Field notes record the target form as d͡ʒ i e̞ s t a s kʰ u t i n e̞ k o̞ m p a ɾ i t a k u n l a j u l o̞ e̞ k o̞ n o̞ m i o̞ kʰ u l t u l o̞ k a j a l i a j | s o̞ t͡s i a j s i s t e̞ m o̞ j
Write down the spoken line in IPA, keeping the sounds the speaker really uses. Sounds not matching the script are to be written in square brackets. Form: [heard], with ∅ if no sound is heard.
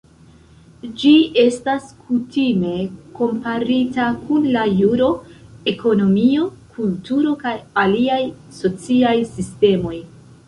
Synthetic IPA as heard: d͡ʒ i e̞ s t a s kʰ u t i [m] e̞ k o̞ m p a ɾ i t a k u n l a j u [ɾ] o̞ e̞ k o̞ n o̞ m i o̞ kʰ u l t u [ɾ] o̞ k a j a l i a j | s o̞ t͡s i a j s i s t e̞ m o̞ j